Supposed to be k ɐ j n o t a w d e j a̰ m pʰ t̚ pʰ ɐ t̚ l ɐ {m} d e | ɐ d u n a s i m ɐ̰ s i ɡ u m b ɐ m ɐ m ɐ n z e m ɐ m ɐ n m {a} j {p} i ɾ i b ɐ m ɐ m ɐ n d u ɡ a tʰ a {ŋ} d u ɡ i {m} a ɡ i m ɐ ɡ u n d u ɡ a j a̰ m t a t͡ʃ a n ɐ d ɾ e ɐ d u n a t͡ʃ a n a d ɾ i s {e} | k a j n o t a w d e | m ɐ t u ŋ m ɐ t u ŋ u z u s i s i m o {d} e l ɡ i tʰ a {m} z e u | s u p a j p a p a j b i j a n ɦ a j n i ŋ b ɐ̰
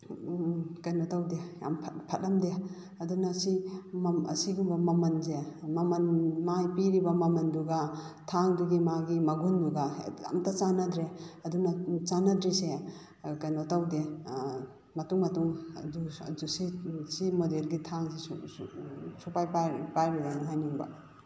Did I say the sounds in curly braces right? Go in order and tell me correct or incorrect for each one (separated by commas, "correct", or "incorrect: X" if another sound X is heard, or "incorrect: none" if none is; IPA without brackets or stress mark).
correct, correct, correct, correct, correct, correct, correct, incorrect: ŋ